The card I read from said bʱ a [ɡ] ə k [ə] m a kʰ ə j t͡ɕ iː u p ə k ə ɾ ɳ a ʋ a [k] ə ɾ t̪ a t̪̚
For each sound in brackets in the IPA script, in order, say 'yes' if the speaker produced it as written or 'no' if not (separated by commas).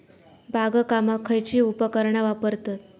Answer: yes, no, no